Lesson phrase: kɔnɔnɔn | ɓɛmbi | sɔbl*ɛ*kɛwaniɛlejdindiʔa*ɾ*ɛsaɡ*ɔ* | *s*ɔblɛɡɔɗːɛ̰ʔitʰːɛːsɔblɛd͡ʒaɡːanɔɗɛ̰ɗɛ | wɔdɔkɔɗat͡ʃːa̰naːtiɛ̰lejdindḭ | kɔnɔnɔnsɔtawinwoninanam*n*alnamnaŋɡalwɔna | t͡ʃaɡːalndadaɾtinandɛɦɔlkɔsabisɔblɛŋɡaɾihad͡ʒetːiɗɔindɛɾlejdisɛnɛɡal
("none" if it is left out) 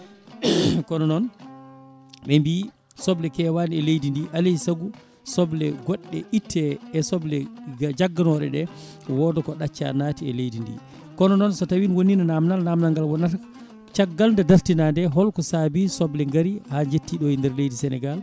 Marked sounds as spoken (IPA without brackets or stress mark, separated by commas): ɛ, l, u, s, n